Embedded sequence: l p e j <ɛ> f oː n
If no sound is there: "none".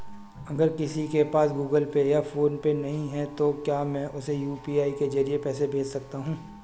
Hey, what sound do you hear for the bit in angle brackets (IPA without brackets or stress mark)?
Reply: a